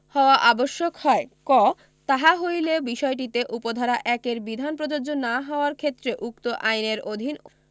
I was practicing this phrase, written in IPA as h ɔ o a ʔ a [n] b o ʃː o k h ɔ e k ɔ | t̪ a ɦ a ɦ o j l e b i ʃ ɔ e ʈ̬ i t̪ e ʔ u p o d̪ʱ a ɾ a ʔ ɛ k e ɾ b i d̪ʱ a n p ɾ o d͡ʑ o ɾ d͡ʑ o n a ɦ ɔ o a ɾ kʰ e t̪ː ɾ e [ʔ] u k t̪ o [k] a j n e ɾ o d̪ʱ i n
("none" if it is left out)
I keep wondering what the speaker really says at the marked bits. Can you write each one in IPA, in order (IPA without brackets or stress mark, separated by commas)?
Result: none, ʔ, ʔ